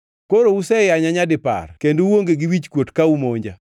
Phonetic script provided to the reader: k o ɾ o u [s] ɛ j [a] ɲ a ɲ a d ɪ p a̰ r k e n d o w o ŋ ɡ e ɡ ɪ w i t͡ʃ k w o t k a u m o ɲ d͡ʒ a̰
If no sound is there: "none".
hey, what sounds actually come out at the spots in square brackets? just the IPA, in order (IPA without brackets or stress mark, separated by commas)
s, a